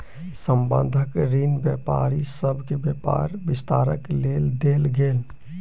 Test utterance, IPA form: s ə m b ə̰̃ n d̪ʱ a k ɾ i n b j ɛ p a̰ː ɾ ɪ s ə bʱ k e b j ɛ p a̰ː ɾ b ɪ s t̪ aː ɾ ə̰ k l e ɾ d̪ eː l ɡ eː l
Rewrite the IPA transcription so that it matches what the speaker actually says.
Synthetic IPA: s ə m b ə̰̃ n d̪ʱ ə k ɾ i n b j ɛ p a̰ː ɾ i s ə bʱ k e b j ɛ p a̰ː ɾ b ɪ s t̪ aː ɾ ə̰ k l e l d̪ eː l ɡ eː l